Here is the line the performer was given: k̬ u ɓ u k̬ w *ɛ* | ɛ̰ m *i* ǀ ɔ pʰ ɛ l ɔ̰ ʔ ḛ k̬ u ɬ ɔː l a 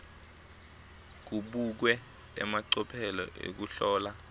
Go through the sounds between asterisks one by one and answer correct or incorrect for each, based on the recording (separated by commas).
correct, incorrect